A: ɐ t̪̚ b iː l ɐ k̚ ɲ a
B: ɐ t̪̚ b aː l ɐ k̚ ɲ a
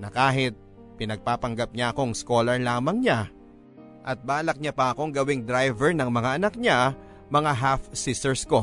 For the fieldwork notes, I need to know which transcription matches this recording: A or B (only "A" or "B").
B